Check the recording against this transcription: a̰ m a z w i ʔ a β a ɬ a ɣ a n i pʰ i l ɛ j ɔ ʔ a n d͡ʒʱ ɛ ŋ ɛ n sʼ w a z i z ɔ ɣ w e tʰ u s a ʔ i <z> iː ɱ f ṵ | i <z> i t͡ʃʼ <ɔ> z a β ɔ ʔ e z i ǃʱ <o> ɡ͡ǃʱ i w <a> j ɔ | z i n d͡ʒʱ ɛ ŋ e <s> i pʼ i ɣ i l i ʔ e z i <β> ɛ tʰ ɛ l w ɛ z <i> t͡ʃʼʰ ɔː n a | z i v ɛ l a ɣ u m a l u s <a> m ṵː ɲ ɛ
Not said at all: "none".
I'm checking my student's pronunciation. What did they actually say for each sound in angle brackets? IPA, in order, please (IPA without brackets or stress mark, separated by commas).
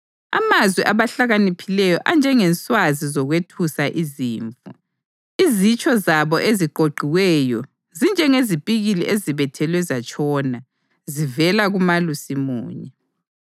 z, z, ɔ, o, ɛ, z, β, a, i